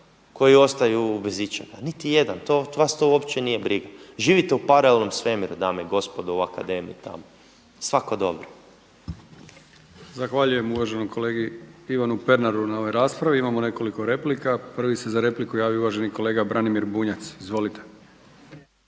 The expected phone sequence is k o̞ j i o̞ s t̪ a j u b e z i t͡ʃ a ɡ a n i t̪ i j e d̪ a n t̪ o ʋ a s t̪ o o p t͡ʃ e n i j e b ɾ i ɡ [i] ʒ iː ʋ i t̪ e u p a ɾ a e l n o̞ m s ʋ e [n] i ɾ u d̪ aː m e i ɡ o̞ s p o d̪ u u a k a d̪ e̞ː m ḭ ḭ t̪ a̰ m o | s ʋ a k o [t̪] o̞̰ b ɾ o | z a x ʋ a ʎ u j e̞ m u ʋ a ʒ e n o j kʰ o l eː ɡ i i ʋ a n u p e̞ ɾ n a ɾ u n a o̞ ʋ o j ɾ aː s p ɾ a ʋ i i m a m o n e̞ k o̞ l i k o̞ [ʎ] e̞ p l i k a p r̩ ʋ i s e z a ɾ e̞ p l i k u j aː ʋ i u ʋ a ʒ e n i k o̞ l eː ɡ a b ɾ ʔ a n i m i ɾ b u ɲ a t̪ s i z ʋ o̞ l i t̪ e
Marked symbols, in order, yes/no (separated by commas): no, no, no, no